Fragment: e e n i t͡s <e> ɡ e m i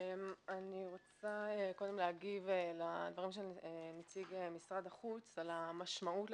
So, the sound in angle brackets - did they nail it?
no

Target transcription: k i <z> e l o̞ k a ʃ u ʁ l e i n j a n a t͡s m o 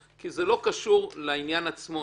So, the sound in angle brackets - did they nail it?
yes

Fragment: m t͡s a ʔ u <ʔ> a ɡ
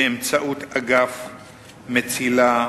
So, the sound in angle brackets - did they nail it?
no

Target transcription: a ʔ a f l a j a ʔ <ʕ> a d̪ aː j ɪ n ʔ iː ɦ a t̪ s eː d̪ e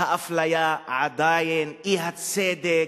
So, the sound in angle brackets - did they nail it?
yes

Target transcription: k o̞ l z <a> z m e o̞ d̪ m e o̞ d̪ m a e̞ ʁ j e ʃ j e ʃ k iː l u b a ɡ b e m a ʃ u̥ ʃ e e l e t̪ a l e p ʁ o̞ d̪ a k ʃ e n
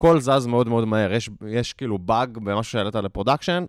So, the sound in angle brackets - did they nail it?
yes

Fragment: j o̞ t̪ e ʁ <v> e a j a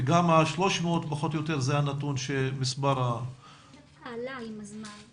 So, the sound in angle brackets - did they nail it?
no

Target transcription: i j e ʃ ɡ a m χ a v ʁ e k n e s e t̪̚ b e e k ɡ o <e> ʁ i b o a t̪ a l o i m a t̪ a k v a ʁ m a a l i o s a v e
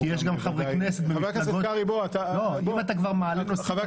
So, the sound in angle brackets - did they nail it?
no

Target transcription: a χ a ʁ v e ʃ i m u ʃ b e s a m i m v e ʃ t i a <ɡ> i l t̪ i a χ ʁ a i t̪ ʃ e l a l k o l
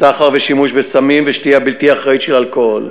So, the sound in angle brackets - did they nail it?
no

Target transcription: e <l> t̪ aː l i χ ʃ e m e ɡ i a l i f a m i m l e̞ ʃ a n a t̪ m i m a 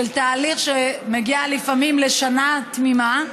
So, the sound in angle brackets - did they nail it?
yes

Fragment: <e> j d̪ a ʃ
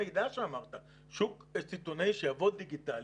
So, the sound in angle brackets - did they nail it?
yes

